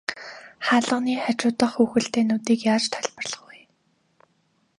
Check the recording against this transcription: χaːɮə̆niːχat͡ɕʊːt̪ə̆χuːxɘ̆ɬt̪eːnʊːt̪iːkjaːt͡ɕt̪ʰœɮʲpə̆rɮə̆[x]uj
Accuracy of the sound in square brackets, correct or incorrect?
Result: incorrect: χ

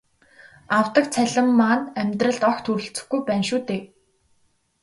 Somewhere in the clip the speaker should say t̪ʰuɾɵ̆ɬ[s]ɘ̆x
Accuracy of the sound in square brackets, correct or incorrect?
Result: incorrect: t͡s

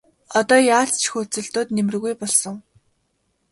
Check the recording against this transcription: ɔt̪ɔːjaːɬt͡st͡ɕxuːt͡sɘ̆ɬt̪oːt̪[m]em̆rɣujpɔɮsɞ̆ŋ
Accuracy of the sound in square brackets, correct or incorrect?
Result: incorrect: n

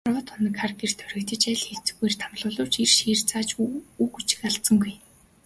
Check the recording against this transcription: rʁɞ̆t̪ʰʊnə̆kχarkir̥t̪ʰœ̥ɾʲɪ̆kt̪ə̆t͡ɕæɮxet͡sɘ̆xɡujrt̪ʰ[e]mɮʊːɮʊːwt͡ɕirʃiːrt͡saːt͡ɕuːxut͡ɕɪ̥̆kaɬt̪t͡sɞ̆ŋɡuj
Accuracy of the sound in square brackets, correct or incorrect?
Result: incorrect: a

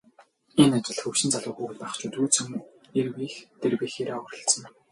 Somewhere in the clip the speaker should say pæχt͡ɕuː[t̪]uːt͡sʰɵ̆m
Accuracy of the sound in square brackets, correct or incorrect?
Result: correct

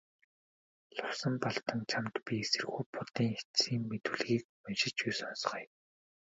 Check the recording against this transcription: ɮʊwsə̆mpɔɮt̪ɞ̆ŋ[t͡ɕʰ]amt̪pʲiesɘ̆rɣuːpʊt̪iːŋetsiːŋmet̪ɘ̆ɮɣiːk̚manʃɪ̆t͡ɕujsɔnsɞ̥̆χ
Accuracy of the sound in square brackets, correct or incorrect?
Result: correct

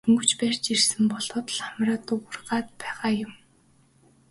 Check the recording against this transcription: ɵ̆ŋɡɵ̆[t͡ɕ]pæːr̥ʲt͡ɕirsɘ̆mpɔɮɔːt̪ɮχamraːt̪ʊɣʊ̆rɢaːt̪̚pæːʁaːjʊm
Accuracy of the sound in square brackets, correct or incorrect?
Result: correct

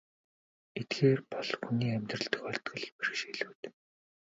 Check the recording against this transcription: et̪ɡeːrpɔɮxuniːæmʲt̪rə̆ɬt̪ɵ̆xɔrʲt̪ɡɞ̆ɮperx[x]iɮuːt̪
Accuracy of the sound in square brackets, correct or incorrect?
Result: incorrect: ʃ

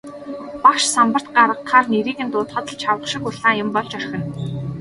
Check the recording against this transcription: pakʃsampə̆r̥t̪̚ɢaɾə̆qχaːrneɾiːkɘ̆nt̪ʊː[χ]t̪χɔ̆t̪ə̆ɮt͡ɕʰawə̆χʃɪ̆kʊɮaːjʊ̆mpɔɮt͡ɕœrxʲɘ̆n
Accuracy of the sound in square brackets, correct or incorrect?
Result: incorrect: none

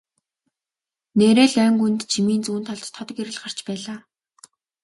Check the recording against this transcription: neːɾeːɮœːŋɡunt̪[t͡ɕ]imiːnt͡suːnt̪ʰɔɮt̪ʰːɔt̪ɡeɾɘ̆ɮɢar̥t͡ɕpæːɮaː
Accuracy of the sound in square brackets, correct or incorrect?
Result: incorrect: t͡ɕʰ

